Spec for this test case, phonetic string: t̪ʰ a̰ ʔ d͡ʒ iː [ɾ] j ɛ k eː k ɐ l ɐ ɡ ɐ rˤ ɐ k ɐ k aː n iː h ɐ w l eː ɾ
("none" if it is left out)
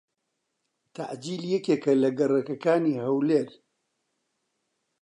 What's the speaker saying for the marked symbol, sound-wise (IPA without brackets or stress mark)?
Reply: l